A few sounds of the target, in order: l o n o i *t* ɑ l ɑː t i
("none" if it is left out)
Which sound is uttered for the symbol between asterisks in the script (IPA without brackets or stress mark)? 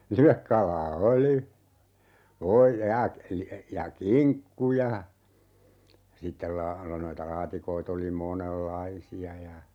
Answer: t